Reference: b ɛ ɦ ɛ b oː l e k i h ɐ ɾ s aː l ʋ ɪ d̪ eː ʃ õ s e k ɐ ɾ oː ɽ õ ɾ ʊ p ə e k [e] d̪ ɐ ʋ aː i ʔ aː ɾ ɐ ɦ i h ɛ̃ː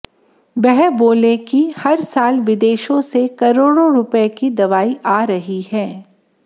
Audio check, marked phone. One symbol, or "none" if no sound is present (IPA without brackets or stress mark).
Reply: i